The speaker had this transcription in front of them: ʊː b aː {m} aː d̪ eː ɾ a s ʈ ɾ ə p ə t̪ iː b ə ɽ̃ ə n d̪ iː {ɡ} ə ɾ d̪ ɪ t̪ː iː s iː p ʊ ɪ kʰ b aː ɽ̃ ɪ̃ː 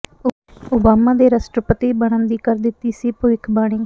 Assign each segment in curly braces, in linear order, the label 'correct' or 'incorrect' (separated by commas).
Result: correct, incorrect